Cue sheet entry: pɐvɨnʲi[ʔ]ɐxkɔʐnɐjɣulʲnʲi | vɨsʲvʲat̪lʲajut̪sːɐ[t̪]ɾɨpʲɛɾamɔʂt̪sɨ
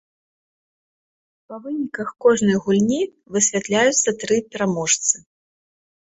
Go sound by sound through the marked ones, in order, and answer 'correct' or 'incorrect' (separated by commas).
incorrect, correct